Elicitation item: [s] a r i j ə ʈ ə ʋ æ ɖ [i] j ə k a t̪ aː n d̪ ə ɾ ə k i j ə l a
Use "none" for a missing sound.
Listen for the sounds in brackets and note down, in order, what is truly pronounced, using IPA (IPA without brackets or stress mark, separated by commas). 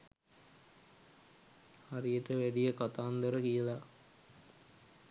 h, i